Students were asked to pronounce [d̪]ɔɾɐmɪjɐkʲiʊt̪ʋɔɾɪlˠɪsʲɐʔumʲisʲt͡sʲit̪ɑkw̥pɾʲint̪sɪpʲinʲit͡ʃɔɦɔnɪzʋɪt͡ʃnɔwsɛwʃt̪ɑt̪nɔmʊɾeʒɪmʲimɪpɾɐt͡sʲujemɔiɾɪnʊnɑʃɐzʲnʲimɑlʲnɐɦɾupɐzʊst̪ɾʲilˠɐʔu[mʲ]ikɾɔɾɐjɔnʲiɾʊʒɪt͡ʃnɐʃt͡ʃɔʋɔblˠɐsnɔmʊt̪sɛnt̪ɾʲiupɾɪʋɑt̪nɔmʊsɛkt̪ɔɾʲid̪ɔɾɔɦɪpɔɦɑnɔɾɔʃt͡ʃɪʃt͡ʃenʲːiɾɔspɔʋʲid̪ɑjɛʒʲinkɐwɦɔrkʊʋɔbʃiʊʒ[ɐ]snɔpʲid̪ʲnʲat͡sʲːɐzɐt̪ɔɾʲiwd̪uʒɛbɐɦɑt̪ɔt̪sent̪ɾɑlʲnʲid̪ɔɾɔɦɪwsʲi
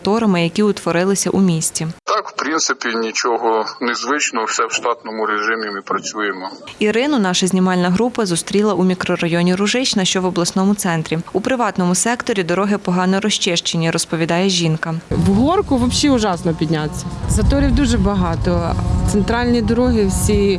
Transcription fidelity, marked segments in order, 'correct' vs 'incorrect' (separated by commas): incorrect, correct, incorrect